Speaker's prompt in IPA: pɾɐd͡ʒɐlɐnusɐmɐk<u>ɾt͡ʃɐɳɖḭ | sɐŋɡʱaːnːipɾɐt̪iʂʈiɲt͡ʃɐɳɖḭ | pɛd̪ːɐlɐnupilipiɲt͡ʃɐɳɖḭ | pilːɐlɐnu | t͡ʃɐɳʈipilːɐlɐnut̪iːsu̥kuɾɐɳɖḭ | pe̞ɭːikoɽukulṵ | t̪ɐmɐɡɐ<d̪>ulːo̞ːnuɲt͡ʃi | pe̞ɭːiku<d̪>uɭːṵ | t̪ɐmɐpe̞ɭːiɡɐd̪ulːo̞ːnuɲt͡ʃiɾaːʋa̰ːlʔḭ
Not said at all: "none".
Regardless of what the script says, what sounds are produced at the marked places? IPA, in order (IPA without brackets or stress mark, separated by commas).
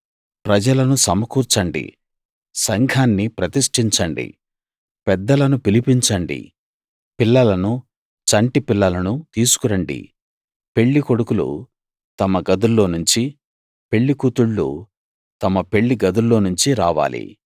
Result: uː, d̪, t̪